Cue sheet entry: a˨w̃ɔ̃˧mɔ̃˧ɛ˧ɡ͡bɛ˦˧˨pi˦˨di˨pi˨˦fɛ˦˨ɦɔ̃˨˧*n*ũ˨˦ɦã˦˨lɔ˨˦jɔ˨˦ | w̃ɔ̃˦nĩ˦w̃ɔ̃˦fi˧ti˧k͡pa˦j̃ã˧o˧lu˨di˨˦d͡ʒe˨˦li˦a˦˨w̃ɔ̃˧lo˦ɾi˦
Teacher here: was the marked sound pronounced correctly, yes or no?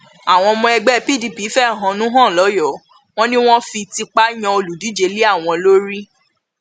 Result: yes